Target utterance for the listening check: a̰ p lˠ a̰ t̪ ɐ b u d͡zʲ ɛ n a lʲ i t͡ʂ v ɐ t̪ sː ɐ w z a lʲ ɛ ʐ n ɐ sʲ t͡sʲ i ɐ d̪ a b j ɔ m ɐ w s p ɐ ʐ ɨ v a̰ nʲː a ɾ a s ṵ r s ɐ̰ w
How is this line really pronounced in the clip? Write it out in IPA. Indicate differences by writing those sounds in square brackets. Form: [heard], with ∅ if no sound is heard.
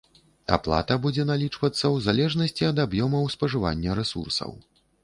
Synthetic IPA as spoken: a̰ p lˠ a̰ t̪ ɐ b u d͡zʲ ɛ n a lʲ i t͡ʂ v ɐ t̪ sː ɐ w z a lʲ ɛ ʐ n ɐ sʲ t͡sʲ i ɐ d̪ a b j ɔ m ɐ w s p ɐ ʐ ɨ v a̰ nʲː [ɐ] ɾ [ɛ] s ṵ r s ɐ̰ w